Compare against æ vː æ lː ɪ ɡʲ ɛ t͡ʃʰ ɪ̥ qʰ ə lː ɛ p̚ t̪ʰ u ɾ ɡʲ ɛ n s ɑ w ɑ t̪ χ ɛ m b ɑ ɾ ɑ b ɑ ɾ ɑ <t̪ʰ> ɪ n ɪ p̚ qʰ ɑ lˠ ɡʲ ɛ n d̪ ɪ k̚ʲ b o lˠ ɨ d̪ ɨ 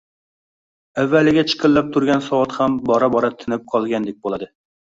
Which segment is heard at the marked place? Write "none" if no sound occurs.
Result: t̪ʰ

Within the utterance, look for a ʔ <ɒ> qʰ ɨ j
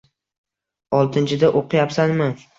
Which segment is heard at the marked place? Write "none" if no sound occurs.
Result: o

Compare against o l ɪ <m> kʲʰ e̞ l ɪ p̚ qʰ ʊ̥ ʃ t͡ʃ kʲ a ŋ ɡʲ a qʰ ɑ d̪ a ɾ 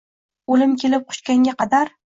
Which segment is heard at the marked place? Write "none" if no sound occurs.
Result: m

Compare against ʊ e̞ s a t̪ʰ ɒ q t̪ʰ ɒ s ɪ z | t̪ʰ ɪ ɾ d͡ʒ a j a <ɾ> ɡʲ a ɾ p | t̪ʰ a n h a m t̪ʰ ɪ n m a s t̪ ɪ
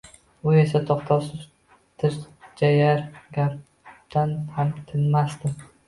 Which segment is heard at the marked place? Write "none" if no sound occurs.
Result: ɾ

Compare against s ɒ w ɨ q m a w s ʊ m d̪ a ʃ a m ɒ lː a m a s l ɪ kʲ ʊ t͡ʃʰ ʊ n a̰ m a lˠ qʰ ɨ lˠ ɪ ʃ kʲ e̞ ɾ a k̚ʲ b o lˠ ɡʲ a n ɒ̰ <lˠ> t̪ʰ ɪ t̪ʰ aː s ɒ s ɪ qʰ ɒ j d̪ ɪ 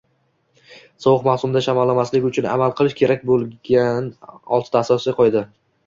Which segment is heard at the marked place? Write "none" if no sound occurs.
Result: lˠ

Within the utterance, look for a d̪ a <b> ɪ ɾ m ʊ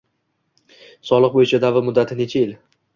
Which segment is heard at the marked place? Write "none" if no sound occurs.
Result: v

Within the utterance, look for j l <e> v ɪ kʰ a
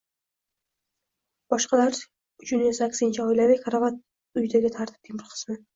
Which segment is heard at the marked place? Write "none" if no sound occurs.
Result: a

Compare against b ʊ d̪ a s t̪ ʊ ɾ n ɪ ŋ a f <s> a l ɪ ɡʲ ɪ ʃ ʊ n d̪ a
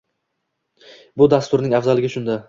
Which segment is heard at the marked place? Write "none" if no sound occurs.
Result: z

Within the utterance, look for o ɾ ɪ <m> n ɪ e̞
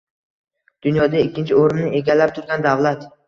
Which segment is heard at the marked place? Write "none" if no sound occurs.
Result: m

